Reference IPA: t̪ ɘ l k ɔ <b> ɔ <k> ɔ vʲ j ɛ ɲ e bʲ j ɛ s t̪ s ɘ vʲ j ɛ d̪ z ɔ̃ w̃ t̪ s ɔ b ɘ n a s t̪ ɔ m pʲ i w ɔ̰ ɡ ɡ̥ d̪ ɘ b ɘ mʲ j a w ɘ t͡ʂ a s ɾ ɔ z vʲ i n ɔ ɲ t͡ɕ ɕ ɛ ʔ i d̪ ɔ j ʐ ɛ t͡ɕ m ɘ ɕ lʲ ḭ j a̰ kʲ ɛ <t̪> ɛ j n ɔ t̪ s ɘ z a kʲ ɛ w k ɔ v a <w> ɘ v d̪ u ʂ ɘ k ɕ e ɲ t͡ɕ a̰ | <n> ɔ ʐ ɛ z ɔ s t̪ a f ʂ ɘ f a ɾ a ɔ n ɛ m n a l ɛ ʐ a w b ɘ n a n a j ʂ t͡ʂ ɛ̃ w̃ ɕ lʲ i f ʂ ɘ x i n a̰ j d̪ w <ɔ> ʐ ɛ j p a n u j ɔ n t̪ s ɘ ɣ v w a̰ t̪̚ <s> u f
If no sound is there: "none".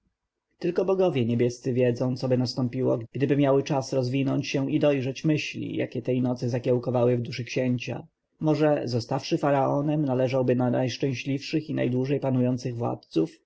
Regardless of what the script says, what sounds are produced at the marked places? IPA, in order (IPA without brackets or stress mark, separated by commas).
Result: b, ɡ, t̪, w, m, u, s